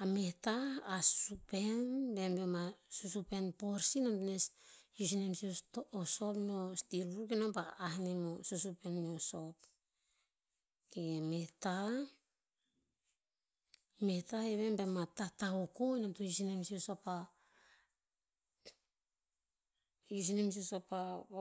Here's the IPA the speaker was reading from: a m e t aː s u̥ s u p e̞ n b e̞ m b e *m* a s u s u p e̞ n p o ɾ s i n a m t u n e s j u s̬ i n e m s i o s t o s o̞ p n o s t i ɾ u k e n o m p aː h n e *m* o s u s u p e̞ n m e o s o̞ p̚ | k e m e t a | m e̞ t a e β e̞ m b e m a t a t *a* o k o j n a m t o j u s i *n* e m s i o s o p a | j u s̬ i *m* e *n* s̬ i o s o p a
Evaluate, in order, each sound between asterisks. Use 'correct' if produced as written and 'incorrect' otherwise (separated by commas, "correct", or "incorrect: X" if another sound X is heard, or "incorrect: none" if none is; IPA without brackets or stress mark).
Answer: correct, correct, correct, correct, incorrect: n, incorrect: m